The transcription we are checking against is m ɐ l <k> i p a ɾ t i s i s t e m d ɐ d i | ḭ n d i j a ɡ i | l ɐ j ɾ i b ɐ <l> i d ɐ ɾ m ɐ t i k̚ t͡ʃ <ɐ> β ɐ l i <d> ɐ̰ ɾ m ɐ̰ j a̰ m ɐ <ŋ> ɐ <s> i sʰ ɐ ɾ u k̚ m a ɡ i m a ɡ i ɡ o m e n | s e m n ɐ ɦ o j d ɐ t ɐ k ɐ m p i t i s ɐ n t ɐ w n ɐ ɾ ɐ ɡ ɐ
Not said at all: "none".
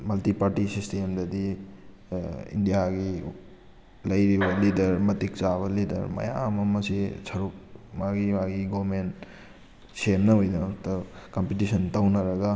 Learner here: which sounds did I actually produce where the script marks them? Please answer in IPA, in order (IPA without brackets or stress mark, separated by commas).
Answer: t, l, a, d, m, s